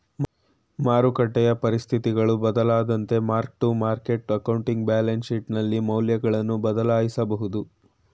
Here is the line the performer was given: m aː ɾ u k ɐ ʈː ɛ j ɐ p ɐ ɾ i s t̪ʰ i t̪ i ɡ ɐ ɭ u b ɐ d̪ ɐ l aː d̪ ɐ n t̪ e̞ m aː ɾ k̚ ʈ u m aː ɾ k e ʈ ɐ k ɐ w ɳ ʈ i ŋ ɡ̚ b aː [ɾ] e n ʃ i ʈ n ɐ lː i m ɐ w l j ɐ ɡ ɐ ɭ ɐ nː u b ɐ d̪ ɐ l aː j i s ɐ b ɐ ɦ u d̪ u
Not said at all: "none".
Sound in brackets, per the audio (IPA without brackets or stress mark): l